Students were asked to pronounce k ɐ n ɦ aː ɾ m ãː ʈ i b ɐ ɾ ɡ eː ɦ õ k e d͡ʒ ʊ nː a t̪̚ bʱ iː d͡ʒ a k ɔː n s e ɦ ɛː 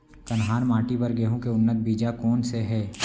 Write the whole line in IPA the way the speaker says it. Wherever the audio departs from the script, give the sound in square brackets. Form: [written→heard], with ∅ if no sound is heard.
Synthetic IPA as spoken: k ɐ n ɦ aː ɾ m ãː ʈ i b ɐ ɾ ɡ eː ɦ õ k e [d͡ʒ→∅] ʊ nː [a→ə] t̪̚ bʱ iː d͡ʒ a k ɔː n s e ɦ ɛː